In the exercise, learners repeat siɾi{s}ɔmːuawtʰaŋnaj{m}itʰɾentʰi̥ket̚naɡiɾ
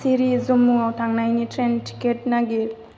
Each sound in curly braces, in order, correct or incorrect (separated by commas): incorrect, incorrect